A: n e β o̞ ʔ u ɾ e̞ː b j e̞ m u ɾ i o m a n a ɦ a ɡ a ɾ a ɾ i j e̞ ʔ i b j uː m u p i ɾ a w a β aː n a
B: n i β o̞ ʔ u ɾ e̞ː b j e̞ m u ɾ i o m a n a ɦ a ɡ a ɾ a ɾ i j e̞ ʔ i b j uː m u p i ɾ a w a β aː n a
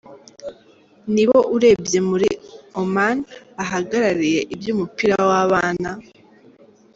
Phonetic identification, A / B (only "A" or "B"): B